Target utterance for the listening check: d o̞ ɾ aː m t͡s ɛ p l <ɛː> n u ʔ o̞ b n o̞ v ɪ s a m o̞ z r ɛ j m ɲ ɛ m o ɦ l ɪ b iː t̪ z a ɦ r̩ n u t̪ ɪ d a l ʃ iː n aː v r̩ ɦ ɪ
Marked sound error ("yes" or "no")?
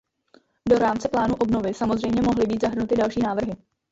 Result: yes